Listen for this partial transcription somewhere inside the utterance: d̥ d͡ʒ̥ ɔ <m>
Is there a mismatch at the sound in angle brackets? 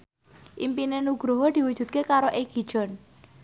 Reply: yes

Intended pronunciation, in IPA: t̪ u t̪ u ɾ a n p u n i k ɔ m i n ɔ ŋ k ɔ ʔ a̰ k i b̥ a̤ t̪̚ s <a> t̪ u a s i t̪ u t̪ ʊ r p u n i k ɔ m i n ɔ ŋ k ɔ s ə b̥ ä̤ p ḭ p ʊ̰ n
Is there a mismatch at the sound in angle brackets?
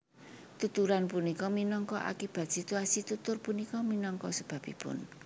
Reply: yes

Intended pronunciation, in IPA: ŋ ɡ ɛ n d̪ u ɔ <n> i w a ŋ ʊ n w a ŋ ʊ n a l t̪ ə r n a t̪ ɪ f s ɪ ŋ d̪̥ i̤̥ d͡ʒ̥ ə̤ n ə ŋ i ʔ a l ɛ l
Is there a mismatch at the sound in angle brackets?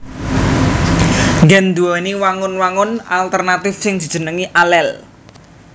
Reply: no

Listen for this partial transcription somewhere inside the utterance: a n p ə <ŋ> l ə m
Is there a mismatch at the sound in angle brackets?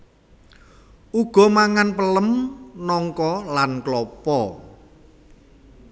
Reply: yes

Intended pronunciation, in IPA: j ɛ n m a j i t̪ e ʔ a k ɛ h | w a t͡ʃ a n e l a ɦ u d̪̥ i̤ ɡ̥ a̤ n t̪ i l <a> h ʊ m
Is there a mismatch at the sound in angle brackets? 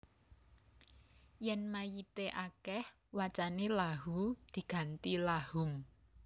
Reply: no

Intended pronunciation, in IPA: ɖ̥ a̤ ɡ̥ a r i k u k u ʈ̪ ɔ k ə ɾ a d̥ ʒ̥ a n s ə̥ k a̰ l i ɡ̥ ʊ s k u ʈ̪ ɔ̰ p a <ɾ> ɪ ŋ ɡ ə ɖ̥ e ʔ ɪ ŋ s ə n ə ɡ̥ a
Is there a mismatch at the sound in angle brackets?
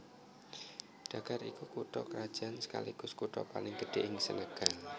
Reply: yes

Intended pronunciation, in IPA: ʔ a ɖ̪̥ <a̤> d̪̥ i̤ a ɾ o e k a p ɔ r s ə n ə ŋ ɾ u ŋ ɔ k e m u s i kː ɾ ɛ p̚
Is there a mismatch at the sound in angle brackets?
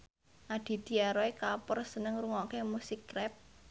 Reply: yes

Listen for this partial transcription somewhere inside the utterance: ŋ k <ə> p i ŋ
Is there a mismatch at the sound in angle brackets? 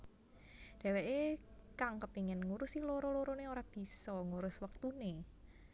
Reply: no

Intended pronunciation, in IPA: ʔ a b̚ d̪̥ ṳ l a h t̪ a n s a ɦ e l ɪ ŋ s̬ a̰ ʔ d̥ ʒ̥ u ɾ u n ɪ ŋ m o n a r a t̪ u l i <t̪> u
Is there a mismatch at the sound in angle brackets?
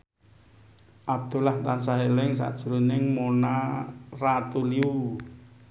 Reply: yes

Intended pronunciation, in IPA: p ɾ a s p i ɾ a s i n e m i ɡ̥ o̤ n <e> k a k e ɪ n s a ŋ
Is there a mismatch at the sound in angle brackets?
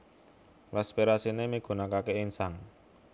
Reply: yes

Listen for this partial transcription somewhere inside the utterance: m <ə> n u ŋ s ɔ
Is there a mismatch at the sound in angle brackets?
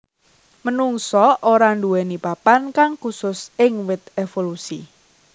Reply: no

